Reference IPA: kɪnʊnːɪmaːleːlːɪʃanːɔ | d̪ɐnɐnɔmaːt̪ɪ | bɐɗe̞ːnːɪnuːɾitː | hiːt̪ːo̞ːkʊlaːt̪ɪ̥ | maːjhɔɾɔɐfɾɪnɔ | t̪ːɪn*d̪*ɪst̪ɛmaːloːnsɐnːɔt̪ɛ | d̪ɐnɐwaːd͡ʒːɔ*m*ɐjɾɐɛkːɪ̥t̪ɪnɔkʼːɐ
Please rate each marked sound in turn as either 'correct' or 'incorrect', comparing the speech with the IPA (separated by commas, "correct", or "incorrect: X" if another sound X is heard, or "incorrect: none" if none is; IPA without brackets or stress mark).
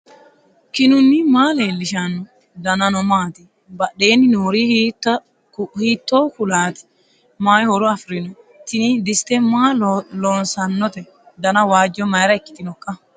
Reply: correct, correct